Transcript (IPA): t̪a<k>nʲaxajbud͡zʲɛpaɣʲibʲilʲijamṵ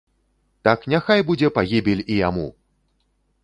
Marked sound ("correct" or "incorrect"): correct